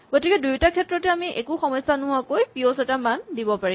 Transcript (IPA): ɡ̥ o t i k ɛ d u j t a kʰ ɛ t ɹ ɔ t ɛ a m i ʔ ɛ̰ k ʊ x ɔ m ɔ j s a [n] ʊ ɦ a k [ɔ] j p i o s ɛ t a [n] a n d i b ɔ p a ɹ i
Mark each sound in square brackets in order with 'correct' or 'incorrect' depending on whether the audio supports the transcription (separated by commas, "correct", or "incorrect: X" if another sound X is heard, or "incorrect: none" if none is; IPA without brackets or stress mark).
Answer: correct, incorrect: o, incorrect: m